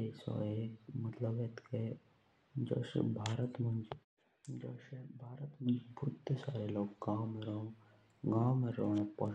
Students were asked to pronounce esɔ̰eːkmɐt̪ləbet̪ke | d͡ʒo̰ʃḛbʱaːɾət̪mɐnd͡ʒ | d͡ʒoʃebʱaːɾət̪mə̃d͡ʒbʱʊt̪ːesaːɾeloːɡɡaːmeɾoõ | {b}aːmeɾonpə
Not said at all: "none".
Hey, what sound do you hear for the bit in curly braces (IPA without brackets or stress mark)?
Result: ɡ